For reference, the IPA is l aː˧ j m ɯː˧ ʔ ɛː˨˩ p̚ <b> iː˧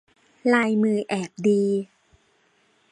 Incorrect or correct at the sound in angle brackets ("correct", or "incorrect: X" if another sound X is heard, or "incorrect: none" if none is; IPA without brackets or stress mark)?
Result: incorrect: d